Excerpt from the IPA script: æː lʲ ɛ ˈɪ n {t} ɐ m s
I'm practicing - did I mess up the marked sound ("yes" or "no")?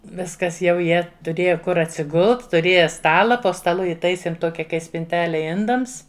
yes